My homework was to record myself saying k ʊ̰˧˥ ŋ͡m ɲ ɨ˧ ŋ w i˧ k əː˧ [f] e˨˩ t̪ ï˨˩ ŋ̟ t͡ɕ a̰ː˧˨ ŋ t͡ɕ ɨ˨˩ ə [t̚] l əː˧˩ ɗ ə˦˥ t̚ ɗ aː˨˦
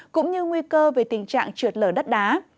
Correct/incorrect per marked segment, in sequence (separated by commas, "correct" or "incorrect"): incorrect, correct